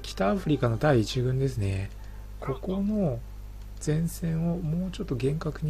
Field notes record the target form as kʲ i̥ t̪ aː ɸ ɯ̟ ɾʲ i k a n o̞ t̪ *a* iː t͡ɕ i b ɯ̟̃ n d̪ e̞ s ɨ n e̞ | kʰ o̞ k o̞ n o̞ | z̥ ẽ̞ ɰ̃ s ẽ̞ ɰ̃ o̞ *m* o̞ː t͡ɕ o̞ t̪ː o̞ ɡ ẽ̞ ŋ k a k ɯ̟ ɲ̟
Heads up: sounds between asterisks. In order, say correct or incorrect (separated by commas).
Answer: correct, correct